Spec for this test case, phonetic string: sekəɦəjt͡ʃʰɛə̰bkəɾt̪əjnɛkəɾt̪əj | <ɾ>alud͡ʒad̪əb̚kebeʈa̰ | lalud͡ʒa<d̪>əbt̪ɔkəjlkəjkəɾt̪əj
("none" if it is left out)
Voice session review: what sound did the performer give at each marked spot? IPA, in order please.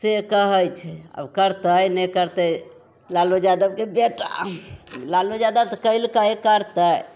l, d̪

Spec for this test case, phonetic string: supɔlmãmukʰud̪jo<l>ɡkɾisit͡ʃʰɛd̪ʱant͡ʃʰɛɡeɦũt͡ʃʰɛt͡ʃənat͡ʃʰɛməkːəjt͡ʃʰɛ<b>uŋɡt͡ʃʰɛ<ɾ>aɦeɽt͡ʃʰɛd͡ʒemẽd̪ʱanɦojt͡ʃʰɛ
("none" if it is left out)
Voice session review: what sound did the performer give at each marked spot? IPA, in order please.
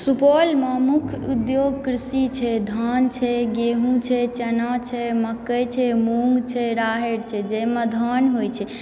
none, m, ɾ

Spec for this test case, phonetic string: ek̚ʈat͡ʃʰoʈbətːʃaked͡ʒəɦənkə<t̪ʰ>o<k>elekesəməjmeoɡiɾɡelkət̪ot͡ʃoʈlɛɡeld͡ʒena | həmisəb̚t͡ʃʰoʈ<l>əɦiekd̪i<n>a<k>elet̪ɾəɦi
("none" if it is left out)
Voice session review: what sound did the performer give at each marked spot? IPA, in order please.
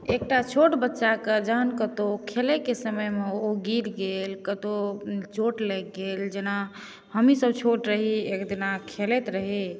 t̪, kʰ, ɾ, n, kʰ

